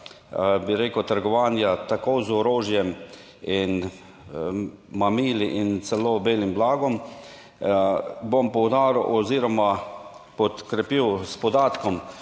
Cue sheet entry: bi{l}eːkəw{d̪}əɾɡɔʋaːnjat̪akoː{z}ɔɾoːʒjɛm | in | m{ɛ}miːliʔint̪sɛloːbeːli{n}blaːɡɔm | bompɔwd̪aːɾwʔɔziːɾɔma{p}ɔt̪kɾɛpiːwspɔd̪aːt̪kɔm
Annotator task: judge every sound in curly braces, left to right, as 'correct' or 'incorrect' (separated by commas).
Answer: incorrect, incorrect, correct, incorrect, incorrect, correct